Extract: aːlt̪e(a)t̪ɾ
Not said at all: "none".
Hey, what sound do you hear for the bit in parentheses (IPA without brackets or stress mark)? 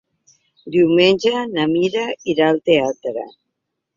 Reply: a